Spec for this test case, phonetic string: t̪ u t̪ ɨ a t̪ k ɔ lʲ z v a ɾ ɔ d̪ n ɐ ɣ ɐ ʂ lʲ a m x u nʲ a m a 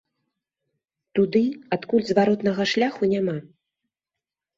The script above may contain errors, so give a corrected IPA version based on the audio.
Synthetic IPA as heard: t̪ u d̪ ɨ a t̪ k u lʲ z v a ɾ ɔ t̪ n ɐ ɣ ɐ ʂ lʲ a x u nʲ a m a